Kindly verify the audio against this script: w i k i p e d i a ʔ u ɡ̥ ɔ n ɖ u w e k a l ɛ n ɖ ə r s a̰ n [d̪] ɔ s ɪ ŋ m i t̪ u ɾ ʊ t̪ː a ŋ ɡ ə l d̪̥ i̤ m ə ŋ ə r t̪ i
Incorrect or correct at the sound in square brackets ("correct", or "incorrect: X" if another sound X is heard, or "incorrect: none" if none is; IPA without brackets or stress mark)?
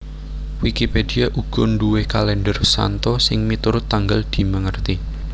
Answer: incorrect: t̪